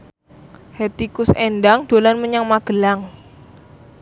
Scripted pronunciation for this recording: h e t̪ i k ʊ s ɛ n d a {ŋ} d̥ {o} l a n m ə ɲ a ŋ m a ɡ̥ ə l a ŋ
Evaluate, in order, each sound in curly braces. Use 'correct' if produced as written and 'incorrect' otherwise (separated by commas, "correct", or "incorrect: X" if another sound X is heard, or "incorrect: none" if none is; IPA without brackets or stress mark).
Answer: correct, correct